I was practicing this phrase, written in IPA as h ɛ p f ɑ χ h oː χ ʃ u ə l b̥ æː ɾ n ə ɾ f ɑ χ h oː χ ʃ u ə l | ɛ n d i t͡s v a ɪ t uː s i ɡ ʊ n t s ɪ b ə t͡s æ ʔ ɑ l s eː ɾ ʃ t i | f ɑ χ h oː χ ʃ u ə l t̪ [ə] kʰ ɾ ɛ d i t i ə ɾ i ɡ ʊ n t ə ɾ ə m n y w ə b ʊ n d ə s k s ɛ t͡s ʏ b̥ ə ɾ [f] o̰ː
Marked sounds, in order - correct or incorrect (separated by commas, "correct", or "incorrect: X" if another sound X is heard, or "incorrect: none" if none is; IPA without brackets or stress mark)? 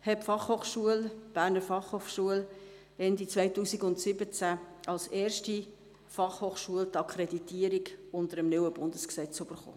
incorrect: ɑ, incorrect: χ